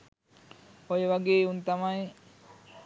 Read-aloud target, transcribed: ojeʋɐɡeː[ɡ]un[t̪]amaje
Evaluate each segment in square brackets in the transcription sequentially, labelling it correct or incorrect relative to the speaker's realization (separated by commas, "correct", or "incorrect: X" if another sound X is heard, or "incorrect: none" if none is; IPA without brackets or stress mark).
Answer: incorrect: none, correct